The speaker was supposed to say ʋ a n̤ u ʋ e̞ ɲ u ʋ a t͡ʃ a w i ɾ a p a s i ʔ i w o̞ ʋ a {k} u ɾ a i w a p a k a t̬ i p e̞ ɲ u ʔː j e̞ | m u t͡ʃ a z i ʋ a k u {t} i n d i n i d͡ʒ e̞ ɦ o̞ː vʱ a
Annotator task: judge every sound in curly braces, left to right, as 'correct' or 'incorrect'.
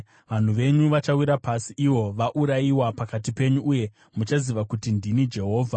incorrect, correct

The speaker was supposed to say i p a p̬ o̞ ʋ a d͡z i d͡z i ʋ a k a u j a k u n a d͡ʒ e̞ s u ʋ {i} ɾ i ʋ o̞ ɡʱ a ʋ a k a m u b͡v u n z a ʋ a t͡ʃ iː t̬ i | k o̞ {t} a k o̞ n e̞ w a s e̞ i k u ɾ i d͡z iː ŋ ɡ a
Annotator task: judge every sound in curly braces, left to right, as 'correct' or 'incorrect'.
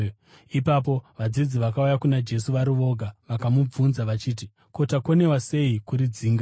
incorrect, correct

